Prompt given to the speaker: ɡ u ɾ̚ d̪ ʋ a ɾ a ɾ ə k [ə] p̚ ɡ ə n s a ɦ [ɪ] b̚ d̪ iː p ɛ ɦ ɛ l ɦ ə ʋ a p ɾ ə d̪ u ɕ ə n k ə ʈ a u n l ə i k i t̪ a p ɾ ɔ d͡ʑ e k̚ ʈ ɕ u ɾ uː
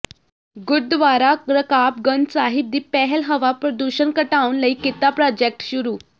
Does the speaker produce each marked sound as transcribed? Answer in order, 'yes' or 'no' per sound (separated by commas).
no, no